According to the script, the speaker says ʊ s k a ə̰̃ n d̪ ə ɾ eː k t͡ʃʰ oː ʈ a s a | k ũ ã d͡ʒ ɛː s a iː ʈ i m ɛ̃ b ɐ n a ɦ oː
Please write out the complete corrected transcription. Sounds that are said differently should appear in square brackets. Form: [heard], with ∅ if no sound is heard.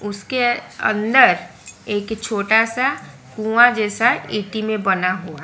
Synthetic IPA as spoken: ʊ s k [e] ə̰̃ n d̪ ə ɾ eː k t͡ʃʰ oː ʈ a s a | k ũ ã d͡ʒ ɛː s a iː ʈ i m [ẽ] b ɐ n a ɦ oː